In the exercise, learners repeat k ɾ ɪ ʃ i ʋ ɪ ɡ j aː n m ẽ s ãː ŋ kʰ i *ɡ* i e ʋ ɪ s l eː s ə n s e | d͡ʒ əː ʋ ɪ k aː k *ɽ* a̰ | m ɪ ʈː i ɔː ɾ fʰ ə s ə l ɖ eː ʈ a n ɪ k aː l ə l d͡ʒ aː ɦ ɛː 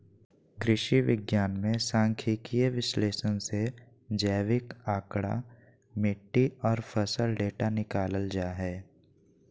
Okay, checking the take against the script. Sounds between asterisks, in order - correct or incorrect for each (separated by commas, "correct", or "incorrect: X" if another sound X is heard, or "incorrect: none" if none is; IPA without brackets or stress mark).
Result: incorrect: k, correct